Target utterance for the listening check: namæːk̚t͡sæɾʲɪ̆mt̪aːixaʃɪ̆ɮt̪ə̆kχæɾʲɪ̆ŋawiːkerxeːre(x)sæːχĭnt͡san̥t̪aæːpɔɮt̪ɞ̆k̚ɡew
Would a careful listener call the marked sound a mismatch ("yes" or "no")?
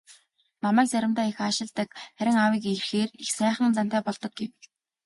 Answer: no